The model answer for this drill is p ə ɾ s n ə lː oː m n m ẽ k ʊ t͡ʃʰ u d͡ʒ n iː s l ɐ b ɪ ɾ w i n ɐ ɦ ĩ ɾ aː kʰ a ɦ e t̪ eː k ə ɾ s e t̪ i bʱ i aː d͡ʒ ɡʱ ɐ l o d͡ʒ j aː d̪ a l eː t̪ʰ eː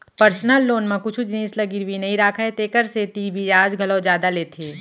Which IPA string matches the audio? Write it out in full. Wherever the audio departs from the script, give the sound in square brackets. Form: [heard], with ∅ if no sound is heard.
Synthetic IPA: p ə ɾ s n ə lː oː [∅] n m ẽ k ʊ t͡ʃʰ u d͡ʒ n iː s l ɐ [ɡ] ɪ ɾ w i n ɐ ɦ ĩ ɾ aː kʰ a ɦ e t̪ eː k ə ɾ s e t̪ i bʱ i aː d͡ʒ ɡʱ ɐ l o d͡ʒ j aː d̪ a l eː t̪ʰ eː

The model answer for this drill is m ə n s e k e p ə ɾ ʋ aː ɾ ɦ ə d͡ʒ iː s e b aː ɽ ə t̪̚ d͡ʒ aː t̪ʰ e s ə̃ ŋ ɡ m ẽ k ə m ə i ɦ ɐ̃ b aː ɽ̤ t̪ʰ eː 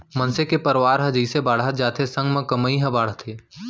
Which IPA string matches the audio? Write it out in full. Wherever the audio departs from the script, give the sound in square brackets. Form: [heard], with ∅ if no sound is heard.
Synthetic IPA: m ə n s e k e p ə ɾ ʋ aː ɾ ɦ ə d͡ʒ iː s e b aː ɽ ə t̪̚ d͡ʒ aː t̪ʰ e s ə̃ ŋ ɡ m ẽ k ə m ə i ɦ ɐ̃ b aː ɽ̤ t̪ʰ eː

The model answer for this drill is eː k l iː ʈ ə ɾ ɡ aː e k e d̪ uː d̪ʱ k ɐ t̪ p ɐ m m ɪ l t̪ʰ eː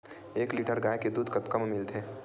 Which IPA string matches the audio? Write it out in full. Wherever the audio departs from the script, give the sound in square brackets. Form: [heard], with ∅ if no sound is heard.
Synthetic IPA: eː k l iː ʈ ə ɾ ɡ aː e k e d̪ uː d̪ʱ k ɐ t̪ [k] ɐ m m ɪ l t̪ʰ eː

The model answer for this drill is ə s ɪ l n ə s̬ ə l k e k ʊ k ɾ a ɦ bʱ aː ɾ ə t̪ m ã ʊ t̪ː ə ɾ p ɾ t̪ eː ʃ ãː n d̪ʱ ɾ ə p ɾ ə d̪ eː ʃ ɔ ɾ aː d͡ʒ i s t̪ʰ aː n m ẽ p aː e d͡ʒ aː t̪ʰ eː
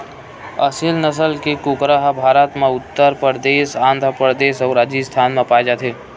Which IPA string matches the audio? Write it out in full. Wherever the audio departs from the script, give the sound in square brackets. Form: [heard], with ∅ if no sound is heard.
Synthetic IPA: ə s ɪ l n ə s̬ ə l k e k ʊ k ɾ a ɦ bʱ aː ɾ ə t̪ m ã ʊ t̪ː ə ɾ p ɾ [d̪] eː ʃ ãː n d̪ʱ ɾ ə p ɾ ə d̪ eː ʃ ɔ ɾ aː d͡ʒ i s t̪ʰ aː n m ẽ p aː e d͡ʒ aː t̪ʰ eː

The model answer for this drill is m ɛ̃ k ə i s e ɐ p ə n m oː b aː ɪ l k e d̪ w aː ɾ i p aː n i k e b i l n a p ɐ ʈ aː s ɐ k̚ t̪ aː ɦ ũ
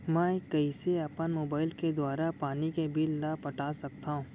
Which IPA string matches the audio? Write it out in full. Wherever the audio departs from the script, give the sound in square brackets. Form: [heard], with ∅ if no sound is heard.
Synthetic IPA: m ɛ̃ k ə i s e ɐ p ə n m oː b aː ɪ l k e d̪ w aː ɾ [a] p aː n i k e b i l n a p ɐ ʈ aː s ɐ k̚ t̪ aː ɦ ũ

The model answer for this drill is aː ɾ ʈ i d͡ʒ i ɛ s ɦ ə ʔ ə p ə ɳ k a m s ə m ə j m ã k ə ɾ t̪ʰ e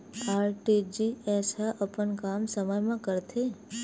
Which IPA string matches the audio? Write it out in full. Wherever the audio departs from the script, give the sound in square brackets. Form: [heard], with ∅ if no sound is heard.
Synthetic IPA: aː ɾ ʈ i d͡ʒ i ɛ s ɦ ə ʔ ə p ə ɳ k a m s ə m ə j m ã k ə ɾ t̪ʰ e

